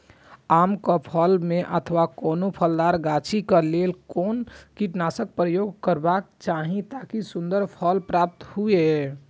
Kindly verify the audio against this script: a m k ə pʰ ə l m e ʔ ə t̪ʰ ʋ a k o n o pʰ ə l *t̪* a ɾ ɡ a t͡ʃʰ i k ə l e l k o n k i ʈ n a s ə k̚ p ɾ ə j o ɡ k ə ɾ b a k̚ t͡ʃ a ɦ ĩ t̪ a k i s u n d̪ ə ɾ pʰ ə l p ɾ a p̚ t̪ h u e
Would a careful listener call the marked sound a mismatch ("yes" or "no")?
yes